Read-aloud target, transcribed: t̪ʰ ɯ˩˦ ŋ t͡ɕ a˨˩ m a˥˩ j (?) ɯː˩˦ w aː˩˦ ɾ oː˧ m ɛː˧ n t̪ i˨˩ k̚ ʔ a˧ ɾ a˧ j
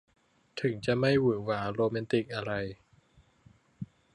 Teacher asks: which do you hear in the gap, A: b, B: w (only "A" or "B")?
B